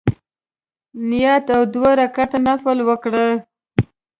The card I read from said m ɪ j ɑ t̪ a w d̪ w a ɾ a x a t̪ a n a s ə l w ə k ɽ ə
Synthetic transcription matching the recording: n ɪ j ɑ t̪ a w d̪ w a ɾ a k a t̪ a n a f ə l w ə k ɽ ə